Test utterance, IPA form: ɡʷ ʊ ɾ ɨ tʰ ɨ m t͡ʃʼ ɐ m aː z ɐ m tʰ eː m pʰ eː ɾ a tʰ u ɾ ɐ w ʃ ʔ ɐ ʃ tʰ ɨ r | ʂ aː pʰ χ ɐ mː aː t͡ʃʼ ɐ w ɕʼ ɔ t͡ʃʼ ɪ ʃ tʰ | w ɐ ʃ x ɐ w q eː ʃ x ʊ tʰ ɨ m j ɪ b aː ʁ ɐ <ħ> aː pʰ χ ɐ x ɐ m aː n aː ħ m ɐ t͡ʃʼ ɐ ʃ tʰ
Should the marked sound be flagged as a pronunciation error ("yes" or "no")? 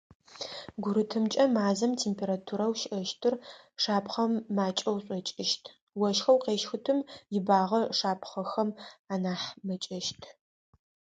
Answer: yes